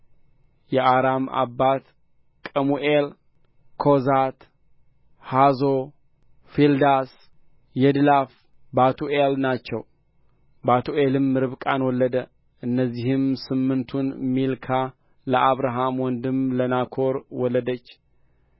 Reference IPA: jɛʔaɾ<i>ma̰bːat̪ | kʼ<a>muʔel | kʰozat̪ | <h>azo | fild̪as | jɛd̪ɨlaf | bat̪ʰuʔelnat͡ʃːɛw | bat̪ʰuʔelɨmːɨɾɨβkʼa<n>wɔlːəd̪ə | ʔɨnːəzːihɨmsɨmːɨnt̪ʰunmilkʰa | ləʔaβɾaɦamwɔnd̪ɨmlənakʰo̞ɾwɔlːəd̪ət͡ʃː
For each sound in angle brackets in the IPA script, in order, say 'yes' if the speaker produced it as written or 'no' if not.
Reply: no, no, yes, yes

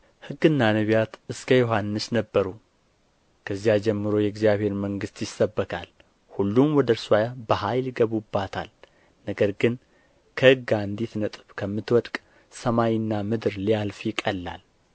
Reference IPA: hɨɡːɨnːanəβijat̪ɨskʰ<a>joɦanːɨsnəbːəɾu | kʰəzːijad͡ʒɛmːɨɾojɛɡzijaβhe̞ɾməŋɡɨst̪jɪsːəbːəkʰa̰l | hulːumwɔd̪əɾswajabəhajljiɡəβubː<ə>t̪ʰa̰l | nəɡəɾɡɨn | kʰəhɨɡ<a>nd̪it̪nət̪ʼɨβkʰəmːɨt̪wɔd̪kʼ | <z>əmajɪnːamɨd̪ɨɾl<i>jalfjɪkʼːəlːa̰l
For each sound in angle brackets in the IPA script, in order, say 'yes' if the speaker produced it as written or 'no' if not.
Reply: no, no, yes, no, yes

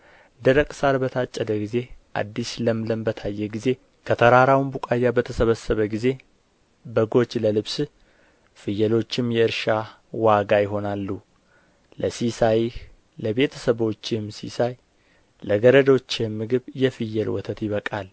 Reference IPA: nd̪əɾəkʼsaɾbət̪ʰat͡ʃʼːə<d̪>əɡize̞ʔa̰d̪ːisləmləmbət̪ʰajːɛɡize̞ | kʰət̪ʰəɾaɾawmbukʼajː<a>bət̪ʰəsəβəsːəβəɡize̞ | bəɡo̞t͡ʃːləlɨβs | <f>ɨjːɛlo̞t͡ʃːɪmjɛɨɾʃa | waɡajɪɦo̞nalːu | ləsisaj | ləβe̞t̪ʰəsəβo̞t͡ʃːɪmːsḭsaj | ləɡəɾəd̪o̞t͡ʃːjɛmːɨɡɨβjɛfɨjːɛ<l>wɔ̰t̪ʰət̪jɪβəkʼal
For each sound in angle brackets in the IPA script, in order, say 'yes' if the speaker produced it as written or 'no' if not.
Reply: yes, yes, yes, yes

